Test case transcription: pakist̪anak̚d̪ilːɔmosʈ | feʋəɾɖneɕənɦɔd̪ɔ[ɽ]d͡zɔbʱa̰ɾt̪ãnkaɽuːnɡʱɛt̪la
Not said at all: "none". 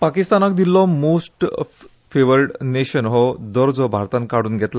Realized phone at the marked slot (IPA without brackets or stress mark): ɾ